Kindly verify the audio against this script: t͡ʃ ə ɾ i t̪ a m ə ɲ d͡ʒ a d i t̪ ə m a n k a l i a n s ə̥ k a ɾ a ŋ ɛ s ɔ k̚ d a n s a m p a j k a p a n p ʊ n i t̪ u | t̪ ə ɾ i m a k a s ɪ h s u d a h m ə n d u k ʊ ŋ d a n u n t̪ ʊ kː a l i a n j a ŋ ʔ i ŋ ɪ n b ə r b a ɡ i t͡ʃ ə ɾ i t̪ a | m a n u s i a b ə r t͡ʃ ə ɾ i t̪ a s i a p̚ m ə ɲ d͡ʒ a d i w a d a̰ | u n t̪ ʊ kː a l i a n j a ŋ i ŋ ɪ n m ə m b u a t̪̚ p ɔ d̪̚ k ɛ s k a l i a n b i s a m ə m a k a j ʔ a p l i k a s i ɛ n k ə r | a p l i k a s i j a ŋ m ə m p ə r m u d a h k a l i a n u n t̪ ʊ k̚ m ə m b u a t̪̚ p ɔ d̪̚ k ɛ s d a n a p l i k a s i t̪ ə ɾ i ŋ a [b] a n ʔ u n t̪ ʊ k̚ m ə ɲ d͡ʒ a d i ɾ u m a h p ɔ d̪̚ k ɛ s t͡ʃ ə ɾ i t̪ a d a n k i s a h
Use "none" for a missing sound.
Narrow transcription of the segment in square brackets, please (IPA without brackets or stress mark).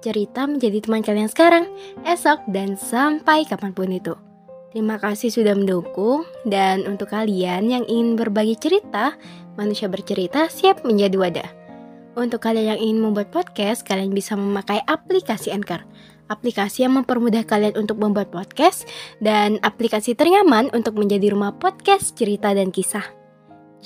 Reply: m